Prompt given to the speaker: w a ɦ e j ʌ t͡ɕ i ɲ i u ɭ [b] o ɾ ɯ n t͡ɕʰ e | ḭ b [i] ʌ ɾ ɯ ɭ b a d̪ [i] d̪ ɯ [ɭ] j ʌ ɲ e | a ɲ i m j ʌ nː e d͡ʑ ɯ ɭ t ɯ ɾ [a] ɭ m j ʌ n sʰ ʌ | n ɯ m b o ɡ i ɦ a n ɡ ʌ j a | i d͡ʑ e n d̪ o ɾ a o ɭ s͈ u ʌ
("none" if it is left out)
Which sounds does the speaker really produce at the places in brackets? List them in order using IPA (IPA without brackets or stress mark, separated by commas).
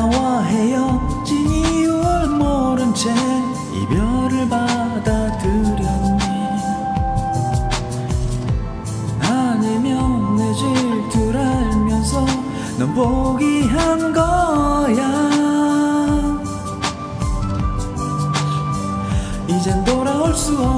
m, j, a, ɾ, a